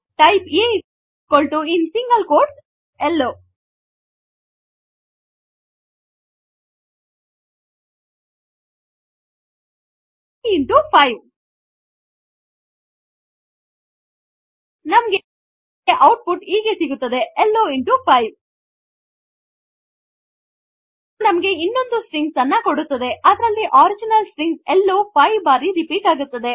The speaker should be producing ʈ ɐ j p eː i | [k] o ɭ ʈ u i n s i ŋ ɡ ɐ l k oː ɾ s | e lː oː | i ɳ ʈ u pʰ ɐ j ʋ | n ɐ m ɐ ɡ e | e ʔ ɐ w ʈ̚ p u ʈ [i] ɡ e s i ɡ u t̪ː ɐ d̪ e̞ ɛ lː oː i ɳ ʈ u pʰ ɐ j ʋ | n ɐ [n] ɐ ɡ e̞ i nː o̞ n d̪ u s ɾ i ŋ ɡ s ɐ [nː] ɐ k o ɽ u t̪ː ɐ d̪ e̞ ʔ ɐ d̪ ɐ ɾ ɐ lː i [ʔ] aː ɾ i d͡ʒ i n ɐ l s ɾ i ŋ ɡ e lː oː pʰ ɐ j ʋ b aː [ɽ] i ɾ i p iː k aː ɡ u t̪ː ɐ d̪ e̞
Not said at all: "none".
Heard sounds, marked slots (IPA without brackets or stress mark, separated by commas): k, iː, m, nː, ʔ, ɾ